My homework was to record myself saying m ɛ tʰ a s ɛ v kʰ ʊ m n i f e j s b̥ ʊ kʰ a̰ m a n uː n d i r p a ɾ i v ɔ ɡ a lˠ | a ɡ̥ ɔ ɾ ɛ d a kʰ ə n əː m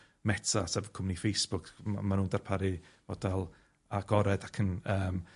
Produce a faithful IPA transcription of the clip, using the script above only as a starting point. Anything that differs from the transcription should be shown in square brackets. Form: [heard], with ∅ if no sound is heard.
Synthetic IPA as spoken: m ɛ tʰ a s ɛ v kʰ ʊ m n i f e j s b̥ ʊ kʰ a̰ m a n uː n d [a] r [pʰ] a ɾ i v ɔ [d] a lˠ | a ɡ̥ ɔ ɾ ɛ d a kʰ ə n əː m